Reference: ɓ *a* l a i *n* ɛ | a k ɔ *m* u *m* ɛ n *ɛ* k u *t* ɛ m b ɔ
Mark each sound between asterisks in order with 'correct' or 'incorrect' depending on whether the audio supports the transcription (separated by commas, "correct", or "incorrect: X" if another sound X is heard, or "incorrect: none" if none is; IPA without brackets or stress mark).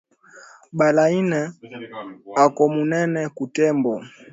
correct, correct, correct, incorrect: n, correct, correct